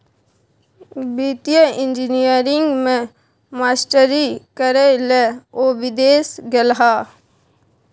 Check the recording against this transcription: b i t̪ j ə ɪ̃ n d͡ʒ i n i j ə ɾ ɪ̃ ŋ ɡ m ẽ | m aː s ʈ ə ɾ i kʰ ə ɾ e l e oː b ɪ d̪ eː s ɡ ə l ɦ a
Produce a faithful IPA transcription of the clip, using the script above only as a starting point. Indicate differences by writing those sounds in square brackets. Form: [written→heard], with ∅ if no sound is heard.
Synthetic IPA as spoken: b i t̪ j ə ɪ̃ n d͡ʒ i n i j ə ɾ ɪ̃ ŋ ɡ m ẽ | m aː s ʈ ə ɾ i [kʰ→k] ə ɾ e l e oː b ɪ d̪ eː s ɡ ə l ɦ a